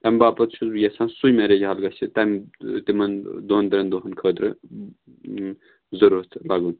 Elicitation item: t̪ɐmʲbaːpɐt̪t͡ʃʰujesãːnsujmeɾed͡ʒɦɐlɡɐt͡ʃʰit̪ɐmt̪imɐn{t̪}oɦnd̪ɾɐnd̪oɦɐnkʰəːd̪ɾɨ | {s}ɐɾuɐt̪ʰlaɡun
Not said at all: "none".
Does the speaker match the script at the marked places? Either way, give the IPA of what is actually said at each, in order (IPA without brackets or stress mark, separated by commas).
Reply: d̪, z